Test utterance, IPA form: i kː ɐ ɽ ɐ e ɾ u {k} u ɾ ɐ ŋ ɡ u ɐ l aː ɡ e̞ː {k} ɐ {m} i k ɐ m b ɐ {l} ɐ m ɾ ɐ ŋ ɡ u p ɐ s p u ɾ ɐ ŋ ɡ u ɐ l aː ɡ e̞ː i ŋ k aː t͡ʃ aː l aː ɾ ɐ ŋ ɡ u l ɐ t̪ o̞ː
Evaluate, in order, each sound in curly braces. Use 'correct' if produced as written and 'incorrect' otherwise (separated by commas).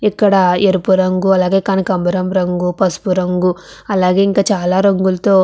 incorrect, correct, incorrect, incorrect